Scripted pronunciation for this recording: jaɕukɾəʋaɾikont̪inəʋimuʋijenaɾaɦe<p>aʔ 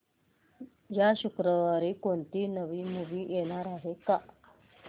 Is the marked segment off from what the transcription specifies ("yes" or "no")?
yes